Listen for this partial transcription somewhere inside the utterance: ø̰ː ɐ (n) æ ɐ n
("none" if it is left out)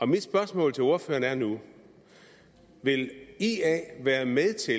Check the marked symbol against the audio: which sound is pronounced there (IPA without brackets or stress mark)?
n